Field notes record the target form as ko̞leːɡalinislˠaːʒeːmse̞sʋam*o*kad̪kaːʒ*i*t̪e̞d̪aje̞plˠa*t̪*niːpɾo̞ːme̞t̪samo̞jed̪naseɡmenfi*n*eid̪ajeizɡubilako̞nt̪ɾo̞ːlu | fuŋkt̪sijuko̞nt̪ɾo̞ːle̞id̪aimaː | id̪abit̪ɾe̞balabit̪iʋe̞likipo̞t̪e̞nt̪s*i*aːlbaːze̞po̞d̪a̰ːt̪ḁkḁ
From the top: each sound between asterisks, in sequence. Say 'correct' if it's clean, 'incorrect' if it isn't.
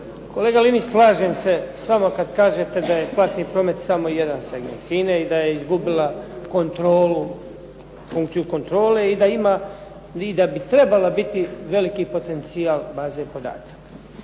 correct, incorrect, correct, correct, correct

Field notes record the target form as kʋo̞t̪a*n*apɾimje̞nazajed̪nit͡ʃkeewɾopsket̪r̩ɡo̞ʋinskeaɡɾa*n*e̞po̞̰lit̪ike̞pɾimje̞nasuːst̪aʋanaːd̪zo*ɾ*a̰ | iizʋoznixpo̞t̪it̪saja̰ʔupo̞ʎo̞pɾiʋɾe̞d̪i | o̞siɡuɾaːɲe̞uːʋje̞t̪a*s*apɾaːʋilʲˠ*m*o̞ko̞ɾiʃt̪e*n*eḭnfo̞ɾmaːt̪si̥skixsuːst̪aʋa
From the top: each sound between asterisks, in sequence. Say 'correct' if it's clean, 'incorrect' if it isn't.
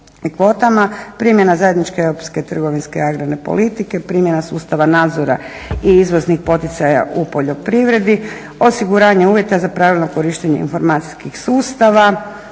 incorrect, correct, correct, incorrect, incorrect, incorrect

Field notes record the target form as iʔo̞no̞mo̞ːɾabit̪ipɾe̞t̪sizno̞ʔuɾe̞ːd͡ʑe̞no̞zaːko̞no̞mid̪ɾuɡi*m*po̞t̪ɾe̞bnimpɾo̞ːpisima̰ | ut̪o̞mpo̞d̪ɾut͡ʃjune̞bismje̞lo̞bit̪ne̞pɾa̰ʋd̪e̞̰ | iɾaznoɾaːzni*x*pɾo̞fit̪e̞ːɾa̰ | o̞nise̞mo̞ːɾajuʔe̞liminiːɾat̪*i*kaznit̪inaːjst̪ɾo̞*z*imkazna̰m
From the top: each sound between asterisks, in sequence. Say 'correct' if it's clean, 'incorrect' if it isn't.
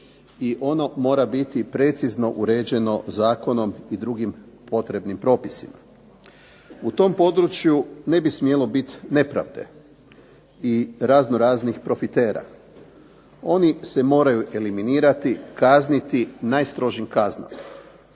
correct, correct, correct, incorrect

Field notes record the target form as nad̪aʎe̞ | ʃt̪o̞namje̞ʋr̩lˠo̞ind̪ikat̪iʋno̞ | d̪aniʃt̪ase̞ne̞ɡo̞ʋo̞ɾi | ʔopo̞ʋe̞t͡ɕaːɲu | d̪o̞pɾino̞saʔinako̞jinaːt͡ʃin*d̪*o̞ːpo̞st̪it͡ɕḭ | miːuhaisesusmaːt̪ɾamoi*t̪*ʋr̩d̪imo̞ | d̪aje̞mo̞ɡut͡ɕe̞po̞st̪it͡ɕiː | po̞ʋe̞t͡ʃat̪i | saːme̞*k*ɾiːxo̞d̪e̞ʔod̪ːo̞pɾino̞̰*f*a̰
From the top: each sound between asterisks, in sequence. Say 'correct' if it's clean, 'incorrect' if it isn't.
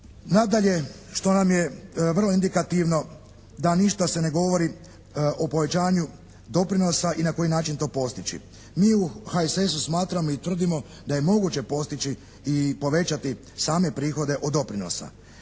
incorrect, correct, incorrect, incorrect

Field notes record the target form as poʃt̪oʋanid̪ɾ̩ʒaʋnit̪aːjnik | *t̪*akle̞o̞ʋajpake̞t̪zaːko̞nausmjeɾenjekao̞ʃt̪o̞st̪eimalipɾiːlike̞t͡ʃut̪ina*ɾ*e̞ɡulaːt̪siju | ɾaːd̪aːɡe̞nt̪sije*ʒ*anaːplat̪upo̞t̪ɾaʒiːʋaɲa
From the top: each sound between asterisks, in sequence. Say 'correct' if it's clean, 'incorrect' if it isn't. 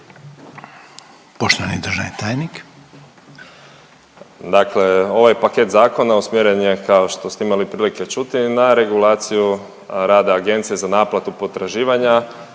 incorrect, correct, incorrect

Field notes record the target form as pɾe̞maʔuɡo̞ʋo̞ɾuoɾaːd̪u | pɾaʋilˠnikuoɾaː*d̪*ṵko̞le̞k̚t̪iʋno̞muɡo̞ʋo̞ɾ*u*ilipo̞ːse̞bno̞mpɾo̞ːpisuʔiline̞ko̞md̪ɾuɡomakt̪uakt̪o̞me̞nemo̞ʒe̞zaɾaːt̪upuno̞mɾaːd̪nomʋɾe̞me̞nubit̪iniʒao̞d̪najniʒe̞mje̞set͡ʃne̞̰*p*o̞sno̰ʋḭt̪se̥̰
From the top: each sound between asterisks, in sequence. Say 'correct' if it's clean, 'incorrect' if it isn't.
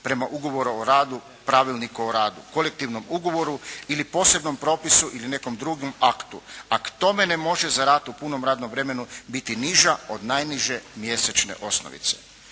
correct, correct, incorrect

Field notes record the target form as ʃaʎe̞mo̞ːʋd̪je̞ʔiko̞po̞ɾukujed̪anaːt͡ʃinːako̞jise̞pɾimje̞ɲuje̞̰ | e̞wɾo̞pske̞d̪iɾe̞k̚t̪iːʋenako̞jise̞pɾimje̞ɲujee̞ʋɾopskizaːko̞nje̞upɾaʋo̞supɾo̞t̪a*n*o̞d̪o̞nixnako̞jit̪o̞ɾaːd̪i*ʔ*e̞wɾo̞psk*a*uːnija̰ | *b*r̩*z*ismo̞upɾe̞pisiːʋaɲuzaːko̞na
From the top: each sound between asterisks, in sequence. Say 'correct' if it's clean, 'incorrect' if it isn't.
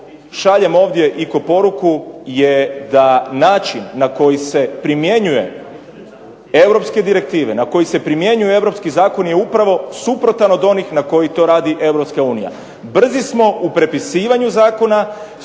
correct, correct, correct, correct, correct

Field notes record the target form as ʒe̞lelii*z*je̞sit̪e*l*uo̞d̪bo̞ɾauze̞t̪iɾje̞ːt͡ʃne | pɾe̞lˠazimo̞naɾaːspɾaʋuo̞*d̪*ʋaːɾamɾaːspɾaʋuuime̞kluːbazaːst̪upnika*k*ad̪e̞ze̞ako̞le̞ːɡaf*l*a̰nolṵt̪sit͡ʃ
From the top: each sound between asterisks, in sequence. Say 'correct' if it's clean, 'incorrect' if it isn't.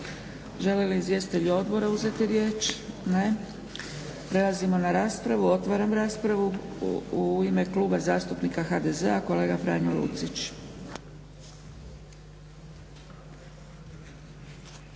correct, incorrect, incorrect, incorrect, incorrect

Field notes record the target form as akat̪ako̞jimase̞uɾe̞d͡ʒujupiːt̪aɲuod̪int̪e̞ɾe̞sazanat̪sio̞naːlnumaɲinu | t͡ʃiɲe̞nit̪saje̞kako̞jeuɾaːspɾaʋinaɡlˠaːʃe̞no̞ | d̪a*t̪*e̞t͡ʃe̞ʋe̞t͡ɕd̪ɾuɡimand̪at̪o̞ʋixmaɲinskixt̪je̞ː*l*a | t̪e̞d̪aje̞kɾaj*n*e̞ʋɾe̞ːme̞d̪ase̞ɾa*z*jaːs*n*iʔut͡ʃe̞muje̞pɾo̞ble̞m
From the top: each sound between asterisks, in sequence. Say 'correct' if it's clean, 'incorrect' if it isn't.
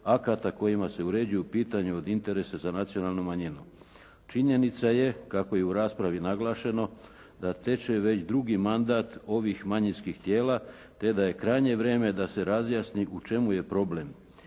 correct, correct, incorrect, correct, correct

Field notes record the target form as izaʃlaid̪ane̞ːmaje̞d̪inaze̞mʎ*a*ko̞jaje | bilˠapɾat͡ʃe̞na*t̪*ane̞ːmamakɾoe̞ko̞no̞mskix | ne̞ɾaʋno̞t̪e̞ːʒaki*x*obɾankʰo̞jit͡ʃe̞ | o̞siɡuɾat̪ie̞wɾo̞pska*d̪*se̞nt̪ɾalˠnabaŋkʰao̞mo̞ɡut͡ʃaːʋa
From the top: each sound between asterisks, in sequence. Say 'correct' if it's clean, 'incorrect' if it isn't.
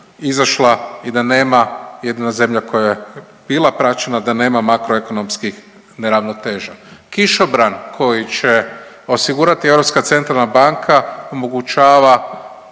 correct, incorrect, incorrect, incorrect

